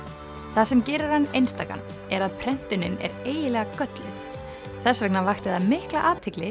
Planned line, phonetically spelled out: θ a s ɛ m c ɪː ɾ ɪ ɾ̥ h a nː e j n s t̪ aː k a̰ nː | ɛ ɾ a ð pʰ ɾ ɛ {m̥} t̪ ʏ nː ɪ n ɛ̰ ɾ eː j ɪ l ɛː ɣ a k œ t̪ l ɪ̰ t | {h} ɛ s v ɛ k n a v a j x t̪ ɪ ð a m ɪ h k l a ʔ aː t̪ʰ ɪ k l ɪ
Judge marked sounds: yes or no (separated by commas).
no, no